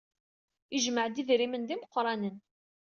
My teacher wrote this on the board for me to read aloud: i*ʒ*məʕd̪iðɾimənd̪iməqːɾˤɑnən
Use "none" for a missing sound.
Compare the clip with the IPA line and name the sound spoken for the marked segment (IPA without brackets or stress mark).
ʒ